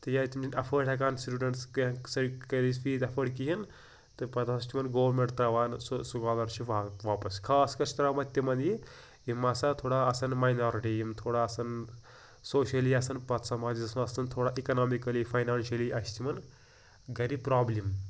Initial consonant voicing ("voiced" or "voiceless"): voiceless